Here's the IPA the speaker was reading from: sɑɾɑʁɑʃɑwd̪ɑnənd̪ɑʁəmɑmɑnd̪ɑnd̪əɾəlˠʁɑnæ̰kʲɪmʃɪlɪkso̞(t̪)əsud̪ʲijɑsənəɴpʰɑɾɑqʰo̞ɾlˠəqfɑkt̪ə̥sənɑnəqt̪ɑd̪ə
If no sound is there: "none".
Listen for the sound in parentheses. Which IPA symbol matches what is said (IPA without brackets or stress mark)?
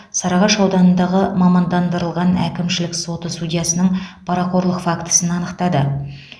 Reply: t̪